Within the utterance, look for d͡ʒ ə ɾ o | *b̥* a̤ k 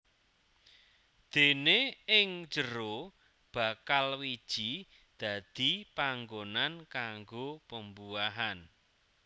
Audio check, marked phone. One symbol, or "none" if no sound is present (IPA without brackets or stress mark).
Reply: b̥